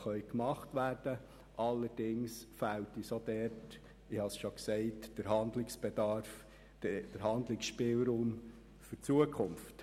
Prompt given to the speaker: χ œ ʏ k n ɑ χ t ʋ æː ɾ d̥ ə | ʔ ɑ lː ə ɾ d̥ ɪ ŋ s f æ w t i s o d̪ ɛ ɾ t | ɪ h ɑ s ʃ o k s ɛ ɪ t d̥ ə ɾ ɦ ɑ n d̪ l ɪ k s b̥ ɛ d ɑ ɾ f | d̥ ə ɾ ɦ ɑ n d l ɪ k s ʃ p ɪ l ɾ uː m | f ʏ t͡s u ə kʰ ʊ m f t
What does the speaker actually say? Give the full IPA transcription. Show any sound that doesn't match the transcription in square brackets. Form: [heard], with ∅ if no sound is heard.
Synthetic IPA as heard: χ œ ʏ k [m] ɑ χ t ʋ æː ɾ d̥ ə | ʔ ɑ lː ə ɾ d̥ ɪ ŋ s f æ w t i s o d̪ ɛ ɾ t | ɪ h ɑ s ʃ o k s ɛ ɪ t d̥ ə ɾ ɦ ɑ n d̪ l ɪ k s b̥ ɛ d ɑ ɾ f | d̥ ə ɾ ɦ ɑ n d l ɪ k s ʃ p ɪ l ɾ uː m | f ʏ t͡s u ə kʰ ʊ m f t